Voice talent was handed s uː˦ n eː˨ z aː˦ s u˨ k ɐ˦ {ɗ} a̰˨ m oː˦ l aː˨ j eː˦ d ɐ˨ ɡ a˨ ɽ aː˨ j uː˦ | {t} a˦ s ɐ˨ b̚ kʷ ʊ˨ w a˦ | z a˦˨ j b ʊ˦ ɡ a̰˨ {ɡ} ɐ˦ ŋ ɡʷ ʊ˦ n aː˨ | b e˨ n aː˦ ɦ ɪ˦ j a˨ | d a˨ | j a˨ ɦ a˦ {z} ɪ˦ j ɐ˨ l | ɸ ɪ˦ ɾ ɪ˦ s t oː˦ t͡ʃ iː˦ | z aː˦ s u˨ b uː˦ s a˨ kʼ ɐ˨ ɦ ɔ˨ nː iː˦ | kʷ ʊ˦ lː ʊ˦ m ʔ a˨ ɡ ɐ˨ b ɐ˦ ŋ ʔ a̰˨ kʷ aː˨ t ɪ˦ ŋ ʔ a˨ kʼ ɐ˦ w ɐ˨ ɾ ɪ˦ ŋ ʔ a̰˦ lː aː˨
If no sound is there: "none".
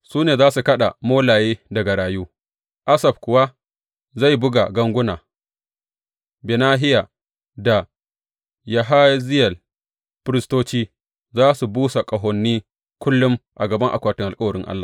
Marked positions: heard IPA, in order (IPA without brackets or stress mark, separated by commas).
ɗ, ʔ, ɡ, z